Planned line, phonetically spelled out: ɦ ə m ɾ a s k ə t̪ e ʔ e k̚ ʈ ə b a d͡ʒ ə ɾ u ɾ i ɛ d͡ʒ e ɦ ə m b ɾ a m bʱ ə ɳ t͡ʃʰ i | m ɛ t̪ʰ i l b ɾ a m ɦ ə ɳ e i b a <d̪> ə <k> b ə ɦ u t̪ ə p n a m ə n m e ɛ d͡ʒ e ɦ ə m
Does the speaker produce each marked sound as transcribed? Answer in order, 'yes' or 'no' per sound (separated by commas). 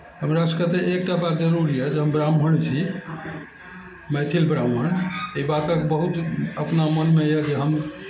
no, yes